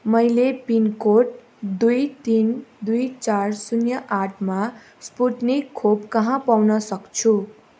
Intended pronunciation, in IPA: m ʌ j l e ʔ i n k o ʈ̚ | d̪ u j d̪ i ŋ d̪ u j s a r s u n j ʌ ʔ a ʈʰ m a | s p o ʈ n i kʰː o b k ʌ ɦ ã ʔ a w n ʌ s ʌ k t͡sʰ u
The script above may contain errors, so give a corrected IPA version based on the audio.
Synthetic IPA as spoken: m ʌ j l e p i n k o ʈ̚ | d̪ u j t̪ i n d̪ u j t͡s a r s u n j ʌ ʔ a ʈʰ m a | s p u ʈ n i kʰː o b k ʌ ɦ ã p a w n ʌ s ʌ k t͡sʰ u